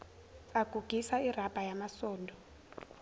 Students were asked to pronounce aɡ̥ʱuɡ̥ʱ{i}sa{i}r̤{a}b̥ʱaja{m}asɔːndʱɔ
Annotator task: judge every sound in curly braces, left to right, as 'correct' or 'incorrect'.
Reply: correct, correct, correct, correct

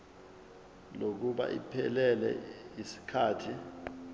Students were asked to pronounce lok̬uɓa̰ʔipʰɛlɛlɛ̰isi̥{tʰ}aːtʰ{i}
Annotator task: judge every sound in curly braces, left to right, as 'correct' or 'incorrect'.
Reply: incorrect, correct

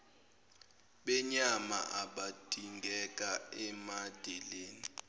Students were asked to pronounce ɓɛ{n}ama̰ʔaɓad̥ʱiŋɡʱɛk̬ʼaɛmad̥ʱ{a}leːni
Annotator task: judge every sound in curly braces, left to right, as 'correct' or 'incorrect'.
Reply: incorrect, incorrect

